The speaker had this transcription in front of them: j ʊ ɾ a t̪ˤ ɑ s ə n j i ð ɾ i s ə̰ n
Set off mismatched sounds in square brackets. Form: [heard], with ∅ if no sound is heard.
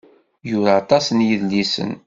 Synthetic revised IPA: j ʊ ɾ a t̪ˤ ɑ s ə n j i ð [l] i s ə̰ n